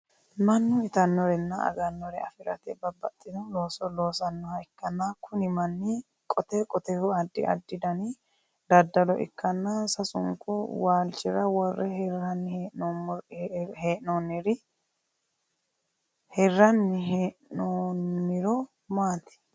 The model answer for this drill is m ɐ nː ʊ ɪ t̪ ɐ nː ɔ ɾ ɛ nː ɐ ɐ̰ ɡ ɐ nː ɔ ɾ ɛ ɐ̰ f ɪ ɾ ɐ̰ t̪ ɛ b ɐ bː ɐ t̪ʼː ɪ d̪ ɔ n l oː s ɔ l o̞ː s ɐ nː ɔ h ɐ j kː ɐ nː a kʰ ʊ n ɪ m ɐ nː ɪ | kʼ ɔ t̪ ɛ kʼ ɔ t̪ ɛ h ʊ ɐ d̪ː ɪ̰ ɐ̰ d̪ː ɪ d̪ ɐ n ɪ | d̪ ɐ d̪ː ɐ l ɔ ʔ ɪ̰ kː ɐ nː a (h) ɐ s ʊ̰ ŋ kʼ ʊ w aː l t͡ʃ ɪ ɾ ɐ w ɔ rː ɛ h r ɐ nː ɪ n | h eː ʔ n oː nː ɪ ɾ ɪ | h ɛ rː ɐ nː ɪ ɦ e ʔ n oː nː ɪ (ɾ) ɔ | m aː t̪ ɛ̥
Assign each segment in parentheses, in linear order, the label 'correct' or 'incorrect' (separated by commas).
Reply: incorrect, correct